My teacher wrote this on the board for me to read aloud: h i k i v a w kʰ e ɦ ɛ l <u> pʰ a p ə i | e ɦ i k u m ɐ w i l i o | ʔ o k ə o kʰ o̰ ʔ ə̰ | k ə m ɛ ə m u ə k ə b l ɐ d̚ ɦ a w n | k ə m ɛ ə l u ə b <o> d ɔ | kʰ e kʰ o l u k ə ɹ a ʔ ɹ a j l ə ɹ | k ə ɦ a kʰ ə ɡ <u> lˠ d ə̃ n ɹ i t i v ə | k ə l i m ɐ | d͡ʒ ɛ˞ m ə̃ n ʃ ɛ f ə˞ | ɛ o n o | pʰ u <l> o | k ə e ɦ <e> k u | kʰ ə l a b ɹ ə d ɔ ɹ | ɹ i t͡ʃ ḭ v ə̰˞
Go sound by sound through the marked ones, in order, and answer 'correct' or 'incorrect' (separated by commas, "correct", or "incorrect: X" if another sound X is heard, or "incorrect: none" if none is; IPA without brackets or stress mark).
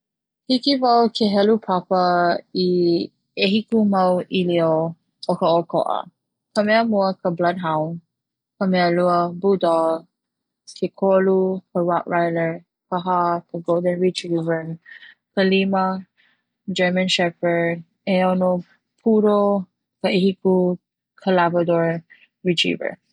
correct, incorrect: u, incorrect: o, incorrect: ɾ, incorrect: i